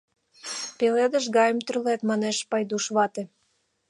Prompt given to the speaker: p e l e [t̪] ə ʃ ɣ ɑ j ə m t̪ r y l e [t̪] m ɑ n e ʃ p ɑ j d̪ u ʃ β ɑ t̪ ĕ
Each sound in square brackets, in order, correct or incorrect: incorrect: d̪, correct

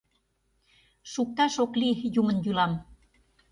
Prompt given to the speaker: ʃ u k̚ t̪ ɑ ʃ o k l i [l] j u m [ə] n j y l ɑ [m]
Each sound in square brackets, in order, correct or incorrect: incorrect: none, correct, correct

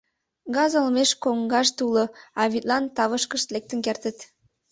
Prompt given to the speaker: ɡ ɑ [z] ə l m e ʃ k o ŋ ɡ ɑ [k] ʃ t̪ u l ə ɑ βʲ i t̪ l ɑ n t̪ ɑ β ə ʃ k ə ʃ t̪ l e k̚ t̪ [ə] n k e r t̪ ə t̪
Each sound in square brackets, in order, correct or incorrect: correct, incorrect: none, correct

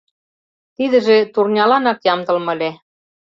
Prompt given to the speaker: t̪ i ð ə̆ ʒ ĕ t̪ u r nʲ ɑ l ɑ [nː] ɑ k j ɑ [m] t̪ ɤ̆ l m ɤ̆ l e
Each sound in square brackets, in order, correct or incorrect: incorrect: n, correct

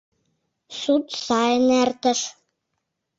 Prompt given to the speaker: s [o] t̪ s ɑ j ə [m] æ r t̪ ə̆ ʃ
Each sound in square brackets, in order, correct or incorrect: incorrect: u, incorrect: n

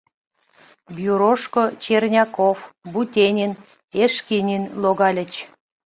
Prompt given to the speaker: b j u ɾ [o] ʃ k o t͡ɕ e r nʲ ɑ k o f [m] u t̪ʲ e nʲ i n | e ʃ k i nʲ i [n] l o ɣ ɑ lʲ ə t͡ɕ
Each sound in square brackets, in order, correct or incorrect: correct, incorrect: b, correct

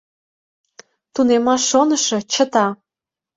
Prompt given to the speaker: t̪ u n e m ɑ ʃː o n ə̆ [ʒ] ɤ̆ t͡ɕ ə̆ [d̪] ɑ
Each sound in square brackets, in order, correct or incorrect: incorrect: ʃ, incorrect: t̪

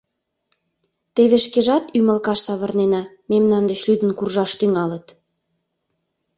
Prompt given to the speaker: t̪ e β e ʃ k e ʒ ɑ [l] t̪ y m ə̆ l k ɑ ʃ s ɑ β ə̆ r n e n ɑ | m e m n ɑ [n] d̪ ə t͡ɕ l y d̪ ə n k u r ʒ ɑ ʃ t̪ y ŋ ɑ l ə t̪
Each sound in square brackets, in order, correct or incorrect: incorrect: none, correct

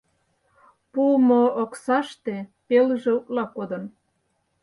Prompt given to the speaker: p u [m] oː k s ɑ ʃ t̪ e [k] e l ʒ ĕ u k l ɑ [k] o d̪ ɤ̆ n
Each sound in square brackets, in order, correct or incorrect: correct, incorrect: p, correct

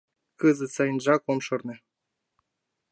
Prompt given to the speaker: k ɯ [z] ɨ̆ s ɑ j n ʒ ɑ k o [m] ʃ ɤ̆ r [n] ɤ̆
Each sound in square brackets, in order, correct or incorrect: correct, correct, correct

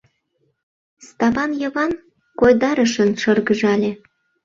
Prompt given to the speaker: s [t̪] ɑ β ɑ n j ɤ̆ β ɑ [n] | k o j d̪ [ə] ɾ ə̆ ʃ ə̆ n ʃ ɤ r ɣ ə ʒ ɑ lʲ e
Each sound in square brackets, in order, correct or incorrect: correct, correct, incorrect: ɑ

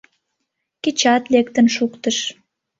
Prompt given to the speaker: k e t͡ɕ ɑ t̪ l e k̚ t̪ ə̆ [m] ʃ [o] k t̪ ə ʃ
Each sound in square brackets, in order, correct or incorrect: incorrect: n, incorrect: u

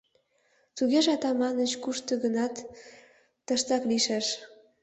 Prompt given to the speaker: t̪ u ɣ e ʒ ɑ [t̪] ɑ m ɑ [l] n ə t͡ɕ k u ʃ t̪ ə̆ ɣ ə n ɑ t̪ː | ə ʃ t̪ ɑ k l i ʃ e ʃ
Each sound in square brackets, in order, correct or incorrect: correct, incorrect: none

